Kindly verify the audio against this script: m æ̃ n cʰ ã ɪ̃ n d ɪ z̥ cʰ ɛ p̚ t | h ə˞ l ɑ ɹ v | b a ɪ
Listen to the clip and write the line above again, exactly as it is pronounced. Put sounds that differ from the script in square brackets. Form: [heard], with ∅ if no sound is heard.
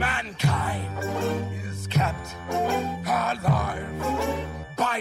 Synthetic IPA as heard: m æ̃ n [kʰ] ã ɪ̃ n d ɪ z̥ [kʰ] ɛ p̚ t | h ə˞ l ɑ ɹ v | b a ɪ